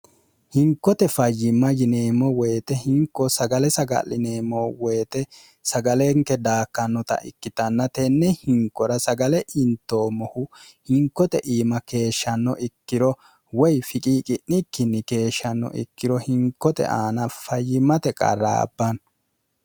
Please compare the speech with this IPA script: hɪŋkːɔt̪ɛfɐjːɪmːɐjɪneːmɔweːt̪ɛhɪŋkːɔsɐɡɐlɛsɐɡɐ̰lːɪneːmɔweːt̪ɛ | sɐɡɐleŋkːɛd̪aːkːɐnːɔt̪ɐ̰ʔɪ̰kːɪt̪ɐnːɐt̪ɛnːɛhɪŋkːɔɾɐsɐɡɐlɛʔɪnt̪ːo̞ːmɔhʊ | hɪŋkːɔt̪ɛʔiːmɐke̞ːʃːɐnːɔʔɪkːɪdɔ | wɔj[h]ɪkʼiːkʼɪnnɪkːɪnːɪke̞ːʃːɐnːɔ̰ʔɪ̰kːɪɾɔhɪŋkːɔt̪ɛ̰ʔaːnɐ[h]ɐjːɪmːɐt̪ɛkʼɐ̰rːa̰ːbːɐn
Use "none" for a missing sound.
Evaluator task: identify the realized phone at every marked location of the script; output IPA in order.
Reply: f, f

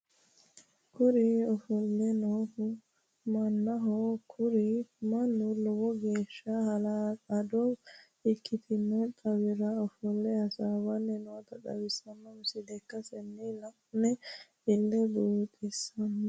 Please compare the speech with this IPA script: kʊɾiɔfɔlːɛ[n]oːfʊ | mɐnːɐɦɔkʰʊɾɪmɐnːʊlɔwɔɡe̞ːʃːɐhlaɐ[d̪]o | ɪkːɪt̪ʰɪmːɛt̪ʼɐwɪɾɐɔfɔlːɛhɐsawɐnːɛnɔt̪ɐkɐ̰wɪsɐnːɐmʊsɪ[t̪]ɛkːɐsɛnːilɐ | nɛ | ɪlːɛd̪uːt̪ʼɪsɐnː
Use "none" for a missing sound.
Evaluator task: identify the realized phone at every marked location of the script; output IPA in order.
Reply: n, d̪, d̪

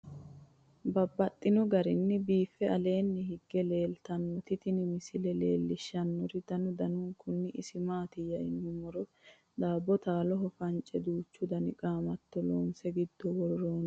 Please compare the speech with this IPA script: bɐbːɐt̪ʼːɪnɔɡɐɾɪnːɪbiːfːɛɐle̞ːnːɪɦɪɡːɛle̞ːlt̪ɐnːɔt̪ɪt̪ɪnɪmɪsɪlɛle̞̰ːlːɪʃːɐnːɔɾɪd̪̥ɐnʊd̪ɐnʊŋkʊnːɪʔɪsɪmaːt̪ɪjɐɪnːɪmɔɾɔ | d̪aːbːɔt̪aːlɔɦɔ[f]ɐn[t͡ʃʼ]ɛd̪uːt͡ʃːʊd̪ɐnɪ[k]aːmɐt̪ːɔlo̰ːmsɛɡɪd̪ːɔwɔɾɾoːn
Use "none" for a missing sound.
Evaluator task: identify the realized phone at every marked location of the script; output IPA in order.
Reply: f, t͡ʃʼ, kʼ

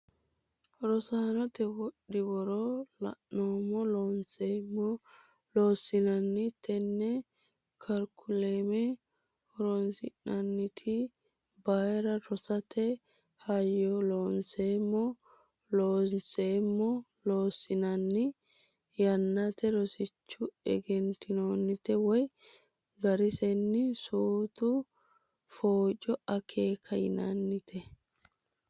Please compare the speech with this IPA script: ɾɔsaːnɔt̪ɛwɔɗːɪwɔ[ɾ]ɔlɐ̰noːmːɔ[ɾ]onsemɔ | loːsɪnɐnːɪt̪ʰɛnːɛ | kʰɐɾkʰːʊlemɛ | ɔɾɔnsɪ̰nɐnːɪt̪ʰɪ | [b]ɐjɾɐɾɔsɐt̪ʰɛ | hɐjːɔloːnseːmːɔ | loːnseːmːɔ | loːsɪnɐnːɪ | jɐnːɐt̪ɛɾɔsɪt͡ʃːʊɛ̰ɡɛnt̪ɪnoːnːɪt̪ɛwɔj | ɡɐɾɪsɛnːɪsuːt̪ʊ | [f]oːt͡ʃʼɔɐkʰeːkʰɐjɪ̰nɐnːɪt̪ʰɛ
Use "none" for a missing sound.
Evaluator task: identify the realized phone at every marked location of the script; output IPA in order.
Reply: ɾ, l, b, f

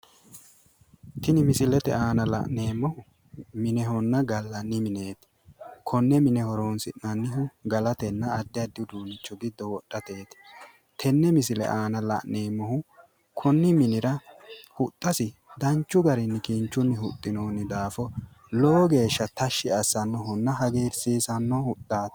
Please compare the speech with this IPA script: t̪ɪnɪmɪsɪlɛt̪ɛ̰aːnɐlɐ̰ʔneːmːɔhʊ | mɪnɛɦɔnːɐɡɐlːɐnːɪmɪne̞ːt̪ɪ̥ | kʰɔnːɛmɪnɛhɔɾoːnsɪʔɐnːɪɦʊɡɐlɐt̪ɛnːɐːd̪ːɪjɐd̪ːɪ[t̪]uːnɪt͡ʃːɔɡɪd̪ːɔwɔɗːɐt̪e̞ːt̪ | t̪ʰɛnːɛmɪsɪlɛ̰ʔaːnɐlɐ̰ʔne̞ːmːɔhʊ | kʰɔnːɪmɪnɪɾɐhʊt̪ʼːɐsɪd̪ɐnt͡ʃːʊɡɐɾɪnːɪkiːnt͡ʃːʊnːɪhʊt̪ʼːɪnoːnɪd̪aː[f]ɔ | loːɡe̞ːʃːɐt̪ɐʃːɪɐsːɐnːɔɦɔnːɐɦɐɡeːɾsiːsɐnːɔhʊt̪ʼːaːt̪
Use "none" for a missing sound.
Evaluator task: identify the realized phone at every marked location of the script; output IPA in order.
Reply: d̪, f

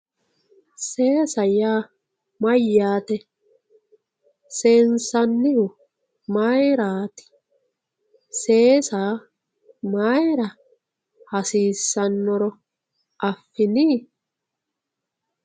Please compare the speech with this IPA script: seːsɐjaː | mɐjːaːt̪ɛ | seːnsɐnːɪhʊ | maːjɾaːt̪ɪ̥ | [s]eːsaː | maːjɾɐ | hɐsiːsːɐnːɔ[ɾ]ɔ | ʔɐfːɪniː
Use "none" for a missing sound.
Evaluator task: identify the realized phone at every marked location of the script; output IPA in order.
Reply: s, ɾ

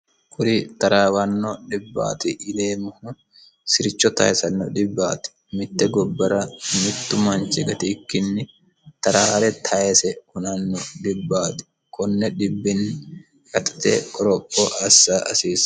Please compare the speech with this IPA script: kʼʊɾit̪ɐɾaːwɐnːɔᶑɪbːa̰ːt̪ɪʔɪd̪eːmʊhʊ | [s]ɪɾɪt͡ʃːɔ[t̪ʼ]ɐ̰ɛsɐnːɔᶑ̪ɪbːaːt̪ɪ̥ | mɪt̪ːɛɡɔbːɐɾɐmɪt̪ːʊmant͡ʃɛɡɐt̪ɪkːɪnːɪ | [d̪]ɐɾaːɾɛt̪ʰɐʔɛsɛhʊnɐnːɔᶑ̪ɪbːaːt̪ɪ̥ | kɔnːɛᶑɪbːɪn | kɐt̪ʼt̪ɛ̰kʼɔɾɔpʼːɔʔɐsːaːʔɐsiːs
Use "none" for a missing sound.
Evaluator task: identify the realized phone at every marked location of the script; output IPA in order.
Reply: s, t̪, t̪

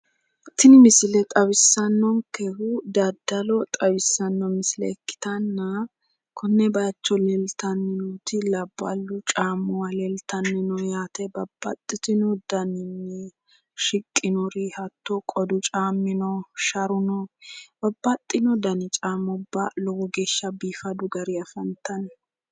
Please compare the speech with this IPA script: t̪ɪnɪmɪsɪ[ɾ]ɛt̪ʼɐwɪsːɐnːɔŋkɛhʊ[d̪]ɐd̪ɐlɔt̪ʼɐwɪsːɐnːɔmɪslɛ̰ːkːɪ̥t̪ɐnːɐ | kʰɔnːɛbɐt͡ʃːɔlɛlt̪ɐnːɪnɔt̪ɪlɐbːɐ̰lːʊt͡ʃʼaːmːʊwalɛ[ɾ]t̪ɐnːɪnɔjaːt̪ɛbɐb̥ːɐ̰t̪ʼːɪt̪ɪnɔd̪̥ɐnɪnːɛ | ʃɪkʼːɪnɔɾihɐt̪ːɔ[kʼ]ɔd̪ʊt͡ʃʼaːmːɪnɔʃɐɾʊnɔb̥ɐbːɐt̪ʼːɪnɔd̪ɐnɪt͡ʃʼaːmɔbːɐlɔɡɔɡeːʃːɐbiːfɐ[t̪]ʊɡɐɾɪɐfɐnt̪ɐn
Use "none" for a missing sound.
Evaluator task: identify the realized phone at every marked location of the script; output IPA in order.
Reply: l, d̪, l, kʼ, d̪

